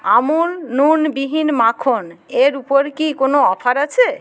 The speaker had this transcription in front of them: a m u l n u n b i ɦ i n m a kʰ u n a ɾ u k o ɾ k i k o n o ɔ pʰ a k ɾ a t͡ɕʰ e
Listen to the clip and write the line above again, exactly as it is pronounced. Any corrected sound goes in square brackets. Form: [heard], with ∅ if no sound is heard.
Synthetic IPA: a m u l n u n b i ɦ i n m a kʰ [o] n [e] ɾ u [p] o ɾ k i k o n o ɔ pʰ a [∅] ɾ a t͡ɕʰ e